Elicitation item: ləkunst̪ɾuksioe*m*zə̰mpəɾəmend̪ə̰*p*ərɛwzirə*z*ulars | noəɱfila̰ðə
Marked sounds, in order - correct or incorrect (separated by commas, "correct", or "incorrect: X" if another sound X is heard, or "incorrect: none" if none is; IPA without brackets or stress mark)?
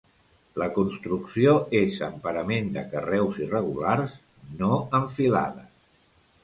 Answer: incorrect: none, incorrect: k, incorrect: ɣ